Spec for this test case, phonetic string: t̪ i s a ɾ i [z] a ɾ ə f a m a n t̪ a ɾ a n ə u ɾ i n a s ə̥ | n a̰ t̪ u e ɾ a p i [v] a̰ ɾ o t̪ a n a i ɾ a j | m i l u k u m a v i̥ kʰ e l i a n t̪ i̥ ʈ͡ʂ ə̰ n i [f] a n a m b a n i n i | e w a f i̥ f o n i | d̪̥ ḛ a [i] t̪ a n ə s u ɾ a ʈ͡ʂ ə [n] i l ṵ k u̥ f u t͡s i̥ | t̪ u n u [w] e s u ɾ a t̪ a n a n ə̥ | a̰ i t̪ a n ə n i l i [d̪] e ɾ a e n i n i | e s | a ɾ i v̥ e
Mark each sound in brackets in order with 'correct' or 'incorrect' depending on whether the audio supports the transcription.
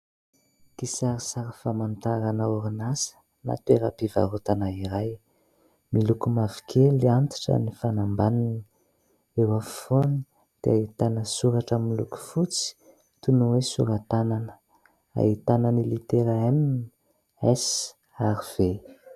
incorrect: s, correct, correct, correct, incorrect: m, correct, incorrect: t̪

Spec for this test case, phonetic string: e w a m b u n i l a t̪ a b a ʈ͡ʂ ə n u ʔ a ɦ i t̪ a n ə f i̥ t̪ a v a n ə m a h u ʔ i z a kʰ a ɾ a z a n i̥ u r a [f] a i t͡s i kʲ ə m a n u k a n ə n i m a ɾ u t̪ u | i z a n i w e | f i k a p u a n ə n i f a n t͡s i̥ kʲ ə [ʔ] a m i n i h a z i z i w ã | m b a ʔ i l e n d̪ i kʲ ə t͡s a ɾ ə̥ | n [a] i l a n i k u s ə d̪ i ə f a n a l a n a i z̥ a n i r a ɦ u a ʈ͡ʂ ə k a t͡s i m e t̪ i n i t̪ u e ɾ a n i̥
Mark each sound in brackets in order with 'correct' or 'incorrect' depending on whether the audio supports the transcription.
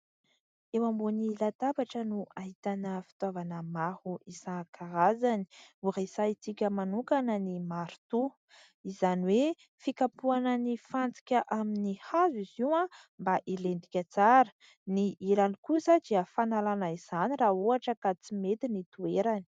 incorrect: s, correct, incorrect: i

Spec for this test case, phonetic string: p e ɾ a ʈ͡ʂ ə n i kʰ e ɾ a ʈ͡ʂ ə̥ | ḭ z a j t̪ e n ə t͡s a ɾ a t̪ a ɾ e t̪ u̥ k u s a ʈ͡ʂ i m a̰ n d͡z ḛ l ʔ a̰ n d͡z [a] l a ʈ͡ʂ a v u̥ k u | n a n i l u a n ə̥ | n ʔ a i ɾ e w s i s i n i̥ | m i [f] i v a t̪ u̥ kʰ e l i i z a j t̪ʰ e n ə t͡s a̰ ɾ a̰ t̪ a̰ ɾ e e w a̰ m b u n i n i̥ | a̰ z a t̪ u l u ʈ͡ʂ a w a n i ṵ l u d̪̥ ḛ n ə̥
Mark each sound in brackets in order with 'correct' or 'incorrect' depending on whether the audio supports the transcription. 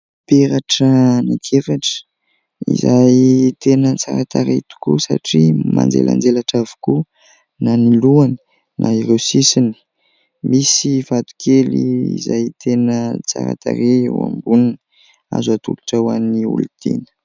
incorrect: e, incorrect: s

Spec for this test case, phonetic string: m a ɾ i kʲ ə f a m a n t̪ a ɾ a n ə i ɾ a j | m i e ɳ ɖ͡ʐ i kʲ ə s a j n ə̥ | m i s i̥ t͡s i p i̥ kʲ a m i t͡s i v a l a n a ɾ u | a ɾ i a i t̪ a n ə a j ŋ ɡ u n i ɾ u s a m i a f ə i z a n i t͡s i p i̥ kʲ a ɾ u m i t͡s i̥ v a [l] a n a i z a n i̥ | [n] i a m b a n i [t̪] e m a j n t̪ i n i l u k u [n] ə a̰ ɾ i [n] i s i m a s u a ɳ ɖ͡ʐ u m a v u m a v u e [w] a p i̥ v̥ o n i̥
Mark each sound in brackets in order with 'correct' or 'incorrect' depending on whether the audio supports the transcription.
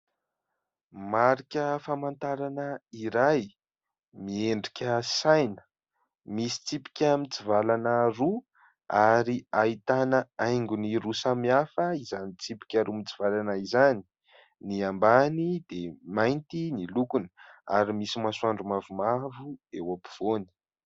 correct, correct, incorrect: d̪, correct, incorrect: m, correct

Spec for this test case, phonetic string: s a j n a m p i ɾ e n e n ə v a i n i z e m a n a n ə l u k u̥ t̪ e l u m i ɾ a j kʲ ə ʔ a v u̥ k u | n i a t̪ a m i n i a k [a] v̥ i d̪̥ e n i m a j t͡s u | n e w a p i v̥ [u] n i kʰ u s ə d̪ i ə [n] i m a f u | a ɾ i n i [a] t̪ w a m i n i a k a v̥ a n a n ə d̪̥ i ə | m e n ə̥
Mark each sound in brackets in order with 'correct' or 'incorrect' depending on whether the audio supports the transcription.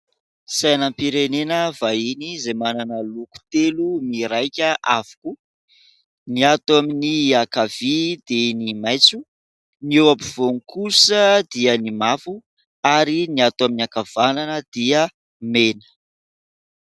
correct, incorrect: o, correct, correct

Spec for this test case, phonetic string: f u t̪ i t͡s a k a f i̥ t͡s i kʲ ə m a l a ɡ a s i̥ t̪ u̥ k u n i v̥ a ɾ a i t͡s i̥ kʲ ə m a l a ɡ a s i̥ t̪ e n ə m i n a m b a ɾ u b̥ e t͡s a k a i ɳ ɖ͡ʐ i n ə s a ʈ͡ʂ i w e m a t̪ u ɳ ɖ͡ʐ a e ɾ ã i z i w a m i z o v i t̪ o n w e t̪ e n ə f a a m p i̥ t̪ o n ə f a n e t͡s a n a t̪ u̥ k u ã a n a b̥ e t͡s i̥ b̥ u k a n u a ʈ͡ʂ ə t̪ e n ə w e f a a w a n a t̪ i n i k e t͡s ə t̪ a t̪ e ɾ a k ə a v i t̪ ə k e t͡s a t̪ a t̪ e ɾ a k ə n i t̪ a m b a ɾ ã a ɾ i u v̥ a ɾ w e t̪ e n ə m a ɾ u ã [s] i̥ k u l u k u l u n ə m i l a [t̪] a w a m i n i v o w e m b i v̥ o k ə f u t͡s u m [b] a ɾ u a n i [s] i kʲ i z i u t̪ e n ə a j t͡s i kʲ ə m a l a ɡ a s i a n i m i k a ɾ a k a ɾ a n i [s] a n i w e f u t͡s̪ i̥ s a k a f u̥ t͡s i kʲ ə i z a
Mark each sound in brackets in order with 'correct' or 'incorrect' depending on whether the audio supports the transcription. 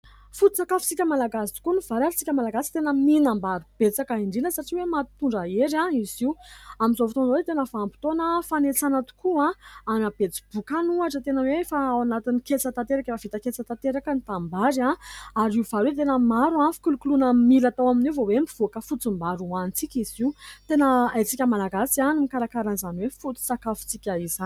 incorrect: f, correct, correct, incorrect: t͡s, incorrect: z

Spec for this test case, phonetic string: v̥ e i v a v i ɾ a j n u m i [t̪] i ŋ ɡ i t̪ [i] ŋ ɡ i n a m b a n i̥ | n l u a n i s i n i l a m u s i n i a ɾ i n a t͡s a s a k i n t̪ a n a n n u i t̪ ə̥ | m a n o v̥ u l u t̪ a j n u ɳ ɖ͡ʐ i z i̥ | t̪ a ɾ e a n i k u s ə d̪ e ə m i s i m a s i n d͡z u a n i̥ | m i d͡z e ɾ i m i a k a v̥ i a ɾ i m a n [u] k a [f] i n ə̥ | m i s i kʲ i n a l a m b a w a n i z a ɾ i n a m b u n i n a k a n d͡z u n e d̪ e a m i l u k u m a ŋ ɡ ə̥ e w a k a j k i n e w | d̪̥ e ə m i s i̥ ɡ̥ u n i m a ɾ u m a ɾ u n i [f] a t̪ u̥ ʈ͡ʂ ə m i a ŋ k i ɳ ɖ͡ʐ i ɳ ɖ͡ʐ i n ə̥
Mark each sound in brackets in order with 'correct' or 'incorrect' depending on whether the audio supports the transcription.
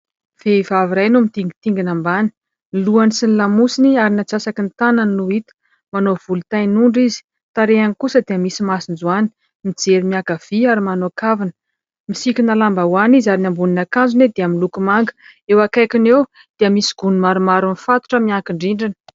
correct, correct, incorrect: o, incorrect: v, correct

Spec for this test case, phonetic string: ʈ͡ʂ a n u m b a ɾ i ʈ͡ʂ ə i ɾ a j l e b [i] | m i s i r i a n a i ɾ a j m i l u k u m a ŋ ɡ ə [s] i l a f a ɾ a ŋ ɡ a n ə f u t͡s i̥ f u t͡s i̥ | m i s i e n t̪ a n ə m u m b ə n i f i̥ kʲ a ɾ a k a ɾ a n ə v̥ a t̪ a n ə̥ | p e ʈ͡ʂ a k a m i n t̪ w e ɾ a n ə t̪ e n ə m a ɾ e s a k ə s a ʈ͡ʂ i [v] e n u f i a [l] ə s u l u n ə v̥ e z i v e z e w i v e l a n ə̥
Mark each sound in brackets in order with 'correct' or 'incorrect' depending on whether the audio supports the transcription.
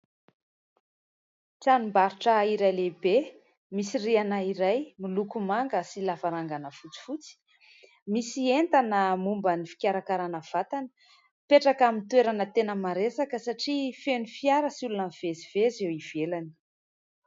incorrect: e, correct, incorrect: f, incorrect: ɾ

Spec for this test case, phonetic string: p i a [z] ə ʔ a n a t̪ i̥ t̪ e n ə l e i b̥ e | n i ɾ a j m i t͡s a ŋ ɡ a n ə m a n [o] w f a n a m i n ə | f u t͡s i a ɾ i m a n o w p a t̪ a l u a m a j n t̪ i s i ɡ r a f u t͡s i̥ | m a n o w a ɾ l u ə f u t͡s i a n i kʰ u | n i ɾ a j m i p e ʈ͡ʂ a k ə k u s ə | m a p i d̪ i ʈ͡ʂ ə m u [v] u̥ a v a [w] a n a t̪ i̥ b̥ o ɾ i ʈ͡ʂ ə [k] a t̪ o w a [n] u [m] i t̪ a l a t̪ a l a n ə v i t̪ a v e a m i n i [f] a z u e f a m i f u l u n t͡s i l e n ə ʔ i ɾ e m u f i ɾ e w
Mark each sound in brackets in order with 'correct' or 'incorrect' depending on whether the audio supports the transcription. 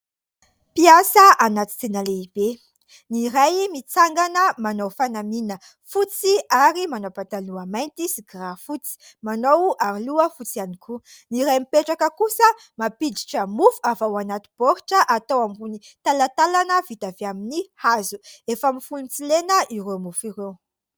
incorrect: s, correct, incorrect: f, correct, incorrect: ʔ, incorrect: m, incorrect: n, incorrect: h

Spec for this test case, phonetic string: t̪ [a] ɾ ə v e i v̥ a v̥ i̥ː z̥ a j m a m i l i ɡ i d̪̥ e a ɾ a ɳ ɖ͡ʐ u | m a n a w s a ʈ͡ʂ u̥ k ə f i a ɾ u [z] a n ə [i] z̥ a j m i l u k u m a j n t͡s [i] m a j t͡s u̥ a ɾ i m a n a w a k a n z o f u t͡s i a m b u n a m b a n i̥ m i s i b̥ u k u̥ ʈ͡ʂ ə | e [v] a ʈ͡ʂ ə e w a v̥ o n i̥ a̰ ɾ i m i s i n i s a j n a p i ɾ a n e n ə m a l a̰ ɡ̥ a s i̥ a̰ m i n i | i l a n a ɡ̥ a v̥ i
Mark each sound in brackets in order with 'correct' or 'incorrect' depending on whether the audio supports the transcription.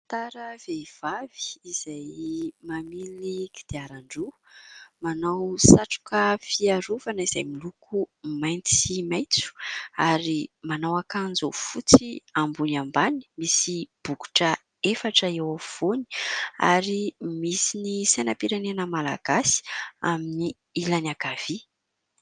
correct, incorrect: v, correct, correct, incorrect: f

